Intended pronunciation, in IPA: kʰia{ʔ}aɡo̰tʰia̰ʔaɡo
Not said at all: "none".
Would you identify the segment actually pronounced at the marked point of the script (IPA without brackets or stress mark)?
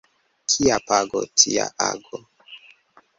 p